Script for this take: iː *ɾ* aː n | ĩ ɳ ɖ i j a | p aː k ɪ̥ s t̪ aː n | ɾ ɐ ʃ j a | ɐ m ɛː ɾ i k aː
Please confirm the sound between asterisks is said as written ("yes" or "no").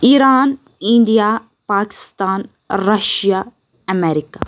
yes